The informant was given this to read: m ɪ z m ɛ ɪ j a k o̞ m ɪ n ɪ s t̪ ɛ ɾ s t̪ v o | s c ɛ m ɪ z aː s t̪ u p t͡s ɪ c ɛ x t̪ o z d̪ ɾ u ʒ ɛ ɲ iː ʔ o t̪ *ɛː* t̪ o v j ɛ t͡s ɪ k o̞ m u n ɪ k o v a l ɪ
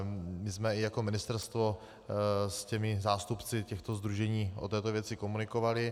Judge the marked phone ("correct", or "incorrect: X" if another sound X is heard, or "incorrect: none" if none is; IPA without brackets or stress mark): correct